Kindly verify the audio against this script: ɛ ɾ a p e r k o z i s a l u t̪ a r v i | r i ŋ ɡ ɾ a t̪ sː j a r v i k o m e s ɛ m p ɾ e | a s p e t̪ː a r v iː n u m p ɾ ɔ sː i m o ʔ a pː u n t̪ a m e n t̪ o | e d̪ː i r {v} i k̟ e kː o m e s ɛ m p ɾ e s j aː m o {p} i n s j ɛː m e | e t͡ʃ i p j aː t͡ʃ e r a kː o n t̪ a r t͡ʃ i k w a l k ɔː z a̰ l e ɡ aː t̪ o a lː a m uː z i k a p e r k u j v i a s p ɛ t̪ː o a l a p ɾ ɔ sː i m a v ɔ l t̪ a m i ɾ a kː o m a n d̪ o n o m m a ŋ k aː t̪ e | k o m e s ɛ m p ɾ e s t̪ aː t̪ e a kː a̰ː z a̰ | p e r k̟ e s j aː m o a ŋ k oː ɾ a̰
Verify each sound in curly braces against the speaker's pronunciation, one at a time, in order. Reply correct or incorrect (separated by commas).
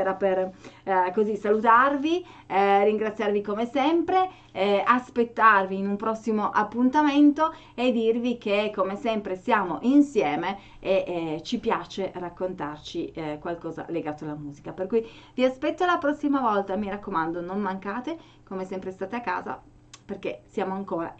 correct, incorrect